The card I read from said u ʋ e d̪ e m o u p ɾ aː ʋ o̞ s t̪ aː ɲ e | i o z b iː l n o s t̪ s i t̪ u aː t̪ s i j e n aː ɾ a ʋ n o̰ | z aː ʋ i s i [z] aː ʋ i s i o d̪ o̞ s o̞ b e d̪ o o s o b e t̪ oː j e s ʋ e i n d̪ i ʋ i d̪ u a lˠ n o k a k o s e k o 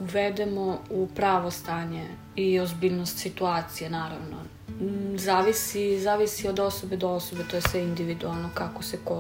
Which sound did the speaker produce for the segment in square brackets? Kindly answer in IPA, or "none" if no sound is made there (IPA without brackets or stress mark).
z